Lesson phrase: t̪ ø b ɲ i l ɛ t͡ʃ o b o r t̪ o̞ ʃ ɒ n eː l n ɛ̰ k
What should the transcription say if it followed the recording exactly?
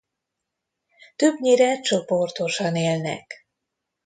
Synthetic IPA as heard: t̪ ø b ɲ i ɾ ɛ t͡ʃ o p o r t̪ o̞ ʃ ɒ n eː l n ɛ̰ k